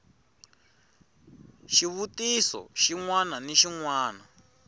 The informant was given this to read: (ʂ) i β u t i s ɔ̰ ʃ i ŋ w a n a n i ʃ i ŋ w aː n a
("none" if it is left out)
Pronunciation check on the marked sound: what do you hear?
ʃ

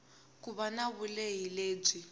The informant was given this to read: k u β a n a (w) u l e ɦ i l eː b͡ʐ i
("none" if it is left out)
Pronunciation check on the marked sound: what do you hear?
β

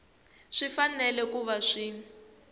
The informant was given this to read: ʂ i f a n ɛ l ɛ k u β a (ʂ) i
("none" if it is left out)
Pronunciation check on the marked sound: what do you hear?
ʂ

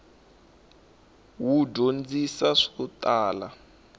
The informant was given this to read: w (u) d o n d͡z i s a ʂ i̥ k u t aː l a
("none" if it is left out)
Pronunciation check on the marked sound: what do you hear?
u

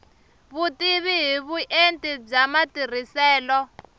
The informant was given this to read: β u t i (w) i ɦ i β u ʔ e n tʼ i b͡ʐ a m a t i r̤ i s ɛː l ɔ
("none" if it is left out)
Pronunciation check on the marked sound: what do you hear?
β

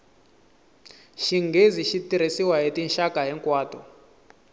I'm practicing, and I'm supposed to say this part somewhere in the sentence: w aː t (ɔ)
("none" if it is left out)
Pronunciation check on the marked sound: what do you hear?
ɔ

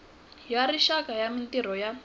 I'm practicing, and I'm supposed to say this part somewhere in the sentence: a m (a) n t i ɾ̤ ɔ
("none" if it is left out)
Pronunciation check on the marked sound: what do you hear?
i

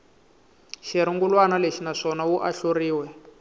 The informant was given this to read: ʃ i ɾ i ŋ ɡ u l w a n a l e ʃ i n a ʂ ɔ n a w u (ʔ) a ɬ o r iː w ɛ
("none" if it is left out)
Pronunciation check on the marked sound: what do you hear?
ʔ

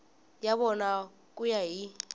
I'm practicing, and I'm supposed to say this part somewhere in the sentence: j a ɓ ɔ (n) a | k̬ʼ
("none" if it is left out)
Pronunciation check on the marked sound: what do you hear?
n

